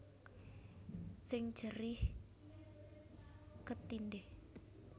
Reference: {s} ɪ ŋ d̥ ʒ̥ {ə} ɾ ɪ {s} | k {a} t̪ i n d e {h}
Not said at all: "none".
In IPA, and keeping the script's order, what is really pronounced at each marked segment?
s, ə, h, ə, h

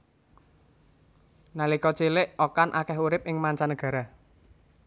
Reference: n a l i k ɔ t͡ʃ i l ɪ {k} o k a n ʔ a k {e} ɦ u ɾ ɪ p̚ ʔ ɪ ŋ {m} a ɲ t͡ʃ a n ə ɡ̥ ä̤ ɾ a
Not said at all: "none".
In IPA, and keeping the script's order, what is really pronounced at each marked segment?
ʔ, ɛ, m

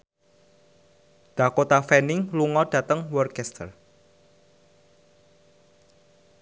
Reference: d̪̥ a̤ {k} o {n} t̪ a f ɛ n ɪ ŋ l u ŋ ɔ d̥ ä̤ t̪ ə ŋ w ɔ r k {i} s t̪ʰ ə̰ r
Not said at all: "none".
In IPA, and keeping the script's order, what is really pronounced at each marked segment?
k, none, ɛ

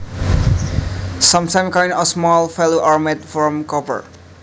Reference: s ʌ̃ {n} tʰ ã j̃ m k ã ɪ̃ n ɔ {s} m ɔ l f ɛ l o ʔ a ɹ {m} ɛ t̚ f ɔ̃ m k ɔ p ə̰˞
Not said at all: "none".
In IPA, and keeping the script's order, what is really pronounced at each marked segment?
m, s, m

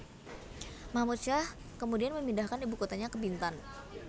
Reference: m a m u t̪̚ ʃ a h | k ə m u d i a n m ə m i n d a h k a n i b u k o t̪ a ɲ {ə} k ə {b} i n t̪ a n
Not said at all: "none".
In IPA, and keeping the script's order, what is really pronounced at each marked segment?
a, b

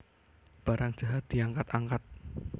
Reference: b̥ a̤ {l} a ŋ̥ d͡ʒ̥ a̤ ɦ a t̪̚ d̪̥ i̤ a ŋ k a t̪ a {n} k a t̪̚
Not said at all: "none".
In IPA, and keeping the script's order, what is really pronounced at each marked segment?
ɾ, ŋ

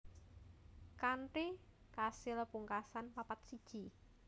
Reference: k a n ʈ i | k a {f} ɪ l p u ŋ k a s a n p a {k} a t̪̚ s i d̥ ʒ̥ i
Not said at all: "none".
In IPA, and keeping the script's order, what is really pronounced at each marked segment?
s, p

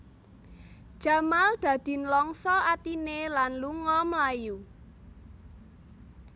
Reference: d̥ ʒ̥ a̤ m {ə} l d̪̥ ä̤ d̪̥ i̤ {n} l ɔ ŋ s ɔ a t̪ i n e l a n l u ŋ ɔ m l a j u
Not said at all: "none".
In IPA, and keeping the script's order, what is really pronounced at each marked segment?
a, n

